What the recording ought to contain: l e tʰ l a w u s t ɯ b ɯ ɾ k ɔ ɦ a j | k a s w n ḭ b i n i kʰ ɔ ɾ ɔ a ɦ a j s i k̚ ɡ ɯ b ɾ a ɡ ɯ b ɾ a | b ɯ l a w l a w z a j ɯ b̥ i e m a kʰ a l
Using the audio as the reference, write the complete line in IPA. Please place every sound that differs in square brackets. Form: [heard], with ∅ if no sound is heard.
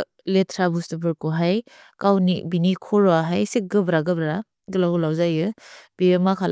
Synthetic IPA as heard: l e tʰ [ɾ] a [b] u s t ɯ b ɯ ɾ k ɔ ɦ a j | k a [∅] w n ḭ b i n i kʰ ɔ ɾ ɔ a ɦ a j s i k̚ ɡ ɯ b ɾ a ɡ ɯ b ɾ a | [ɡ] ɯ l a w l a w z a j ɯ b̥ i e m a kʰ a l